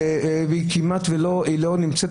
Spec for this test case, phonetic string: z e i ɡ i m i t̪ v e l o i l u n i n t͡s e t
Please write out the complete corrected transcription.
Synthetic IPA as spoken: v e i k i m a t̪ v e l o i l o n i m t͡s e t